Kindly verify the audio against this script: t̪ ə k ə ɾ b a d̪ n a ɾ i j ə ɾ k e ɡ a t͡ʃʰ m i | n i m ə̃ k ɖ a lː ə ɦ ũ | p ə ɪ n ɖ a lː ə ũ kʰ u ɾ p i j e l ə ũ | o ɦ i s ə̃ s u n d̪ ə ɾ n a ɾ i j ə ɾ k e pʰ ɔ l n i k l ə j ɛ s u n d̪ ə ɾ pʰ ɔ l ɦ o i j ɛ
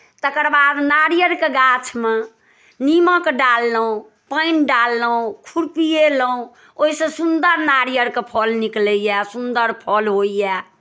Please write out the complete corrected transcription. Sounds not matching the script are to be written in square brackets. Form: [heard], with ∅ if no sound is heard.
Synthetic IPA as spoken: t̪ ə k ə ɾ b a d̪ n a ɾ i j ə ɾ k e ɡ a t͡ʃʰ m [e] | n i m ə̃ k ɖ a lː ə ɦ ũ | p ə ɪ n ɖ a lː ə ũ kʰ u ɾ p i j e l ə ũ | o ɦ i s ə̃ s u n d̪ ə ɾ n a ɾ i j ə ɾ k e pʰ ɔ l n i k l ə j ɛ s u n d̪ ə ɾ pʰ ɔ l ɦ o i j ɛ